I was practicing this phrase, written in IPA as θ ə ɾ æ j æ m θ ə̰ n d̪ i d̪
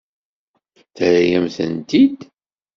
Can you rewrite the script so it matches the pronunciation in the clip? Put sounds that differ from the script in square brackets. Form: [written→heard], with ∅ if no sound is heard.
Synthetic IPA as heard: θ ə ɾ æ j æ m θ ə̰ n [d̪→t̪] i d̪